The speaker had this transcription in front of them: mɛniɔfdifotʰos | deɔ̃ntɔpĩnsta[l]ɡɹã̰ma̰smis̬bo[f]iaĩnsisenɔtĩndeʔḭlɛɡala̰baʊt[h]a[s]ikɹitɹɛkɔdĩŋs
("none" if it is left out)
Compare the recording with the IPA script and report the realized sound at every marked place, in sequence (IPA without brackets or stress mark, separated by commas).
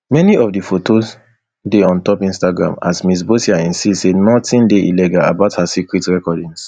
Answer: none, s, h, s